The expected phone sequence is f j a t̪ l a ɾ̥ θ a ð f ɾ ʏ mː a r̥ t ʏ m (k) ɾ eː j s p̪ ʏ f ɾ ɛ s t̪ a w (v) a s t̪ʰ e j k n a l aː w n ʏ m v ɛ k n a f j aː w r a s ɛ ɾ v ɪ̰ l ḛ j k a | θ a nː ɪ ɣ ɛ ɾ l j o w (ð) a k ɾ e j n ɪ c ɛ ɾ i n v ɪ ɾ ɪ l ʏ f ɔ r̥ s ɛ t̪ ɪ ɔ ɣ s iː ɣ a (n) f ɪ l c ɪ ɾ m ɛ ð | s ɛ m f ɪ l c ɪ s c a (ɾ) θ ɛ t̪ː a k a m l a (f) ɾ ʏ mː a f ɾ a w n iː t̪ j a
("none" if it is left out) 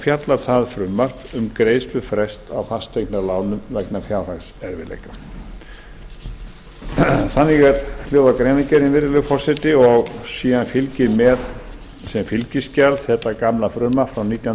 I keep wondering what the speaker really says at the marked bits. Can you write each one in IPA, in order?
k, f, ð, n, l, f

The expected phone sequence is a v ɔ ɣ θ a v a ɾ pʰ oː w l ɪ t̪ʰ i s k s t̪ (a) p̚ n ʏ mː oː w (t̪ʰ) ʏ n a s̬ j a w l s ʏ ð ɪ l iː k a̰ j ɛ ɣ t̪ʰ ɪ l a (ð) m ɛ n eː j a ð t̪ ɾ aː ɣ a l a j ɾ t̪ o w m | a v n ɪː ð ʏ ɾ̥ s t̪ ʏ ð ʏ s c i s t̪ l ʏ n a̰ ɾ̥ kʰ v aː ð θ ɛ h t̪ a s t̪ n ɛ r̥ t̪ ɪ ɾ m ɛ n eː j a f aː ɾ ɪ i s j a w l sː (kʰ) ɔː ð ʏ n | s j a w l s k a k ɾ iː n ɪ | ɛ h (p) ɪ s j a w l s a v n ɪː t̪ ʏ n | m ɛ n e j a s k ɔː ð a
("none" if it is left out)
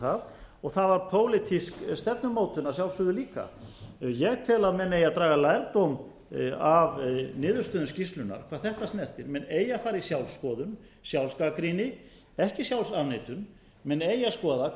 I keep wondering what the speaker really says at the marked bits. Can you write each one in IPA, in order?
ɛ, t̪, ð, k, c

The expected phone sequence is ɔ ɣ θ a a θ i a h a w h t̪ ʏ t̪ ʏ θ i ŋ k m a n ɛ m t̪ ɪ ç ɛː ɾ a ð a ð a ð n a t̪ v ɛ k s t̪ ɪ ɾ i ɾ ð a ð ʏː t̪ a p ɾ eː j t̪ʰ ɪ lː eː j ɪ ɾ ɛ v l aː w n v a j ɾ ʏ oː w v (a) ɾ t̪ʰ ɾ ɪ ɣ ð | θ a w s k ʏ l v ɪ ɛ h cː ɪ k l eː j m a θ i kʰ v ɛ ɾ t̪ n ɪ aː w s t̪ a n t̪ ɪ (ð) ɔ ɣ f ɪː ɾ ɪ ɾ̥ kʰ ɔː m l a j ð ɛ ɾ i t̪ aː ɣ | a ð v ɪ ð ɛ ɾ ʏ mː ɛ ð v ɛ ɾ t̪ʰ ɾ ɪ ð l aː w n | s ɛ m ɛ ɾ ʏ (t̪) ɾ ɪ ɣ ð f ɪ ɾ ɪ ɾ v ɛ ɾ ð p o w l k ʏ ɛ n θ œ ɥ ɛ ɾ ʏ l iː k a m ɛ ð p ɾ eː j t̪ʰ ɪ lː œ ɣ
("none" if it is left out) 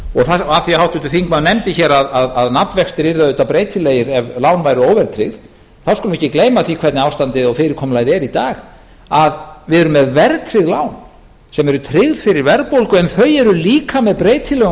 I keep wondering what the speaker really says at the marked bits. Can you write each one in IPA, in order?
ɛ, ð, t̪ʰ

